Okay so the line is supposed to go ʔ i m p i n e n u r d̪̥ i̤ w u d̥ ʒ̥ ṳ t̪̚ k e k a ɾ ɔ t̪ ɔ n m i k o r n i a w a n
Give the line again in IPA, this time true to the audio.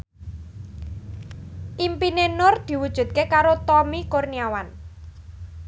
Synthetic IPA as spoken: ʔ i m p i n e n ʊ r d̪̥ i̤ w u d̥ ʒ̥ ṳ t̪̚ k e k a ɾ o t̪ ɔ m i k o r n i a w a n

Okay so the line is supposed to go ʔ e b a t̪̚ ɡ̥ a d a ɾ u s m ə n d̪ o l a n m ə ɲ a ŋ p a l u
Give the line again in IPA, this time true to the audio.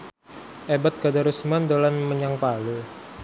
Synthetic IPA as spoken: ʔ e b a t̪̚ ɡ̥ a d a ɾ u s m a n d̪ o l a n m ə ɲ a ŋ p a l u

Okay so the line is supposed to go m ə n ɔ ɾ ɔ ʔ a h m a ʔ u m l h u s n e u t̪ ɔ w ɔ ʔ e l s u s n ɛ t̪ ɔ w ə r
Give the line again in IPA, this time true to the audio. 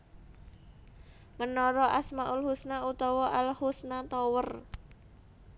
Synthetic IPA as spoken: m ə n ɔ ɾ ɔ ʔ a s m a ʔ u l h u s n a u t̪ ɔ w ɔ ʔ a l h u s n a t̪ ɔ w ə r

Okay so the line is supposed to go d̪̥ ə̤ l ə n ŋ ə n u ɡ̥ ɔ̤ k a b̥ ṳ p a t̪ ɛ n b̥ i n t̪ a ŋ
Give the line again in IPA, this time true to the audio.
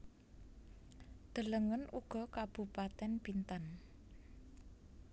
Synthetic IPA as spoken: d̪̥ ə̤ l ə ŋ ə n u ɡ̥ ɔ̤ k a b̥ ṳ p a t̪ ɛ n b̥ i n t̪ a n

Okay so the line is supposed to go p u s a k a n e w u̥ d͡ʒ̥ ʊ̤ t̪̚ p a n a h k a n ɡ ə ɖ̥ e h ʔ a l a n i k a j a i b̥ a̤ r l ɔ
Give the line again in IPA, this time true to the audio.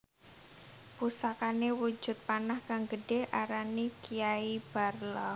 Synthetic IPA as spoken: p u s a k a n e w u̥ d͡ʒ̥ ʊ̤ t̪̚ p a n a h k a ŋ ɡ ə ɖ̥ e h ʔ a ɾ a n i k i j a i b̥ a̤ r l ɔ

